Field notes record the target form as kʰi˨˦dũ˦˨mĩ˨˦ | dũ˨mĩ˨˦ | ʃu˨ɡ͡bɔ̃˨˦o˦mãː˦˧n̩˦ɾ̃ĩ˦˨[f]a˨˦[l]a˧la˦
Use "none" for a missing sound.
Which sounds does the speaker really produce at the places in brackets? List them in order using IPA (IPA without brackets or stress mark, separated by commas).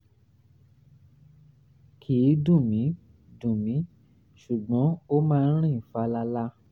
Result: f, l